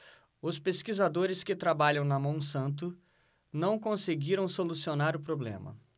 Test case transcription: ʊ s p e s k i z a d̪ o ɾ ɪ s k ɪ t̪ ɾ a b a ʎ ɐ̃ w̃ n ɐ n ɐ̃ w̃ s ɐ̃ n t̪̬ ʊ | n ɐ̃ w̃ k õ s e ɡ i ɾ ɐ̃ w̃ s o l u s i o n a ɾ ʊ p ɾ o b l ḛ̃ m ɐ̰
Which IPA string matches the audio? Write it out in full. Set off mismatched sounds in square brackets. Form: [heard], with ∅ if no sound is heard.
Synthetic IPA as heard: ʊ s p e s k i z a d̪ o ɾ ɪ s k ɪ t̪ ɾ a b a ʎ ɐ̃ w̃ n ɐ [m] ɐ̃ w̃ s ɐ̃ n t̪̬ ʊ | n ɐ̃ w̃ k õ s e ɡ i ɾ ɐ̃ w̃ s o l u s i o n a ɾ ʊ p ɾ o b l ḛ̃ m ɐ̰